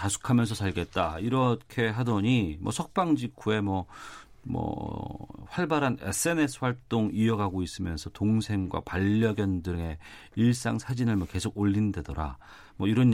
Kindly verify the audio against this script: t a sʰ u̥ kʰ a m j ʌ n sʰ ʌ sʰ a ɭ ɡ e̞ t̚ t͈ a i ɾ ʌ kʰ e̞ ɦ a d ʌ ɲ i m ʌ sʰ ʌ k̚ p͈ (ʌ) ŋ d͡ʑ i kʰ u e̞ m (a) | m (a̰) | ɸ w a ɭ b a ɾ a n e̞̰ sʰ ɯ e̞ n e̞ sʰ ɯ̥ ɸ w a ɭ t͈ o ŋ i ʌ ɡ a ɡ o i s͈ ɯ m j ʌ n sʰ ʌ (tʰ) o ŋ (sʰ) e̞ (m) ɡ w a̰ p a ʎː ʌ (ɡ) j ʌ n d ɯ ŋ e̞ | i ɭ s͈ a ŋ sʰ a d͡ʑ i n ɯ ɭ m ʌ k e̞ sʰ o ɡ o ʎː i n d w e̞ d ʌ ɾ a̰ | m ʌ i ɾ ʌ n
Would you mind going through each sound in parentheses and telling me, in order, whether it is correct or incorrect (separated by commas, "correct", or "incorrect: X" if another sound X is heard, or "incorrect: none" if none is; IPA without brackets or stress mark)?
incorrect: a, incorrect: ʌ, incorrect: ʌ̰, incorrect: t, correct, incorrect: ŋ, correct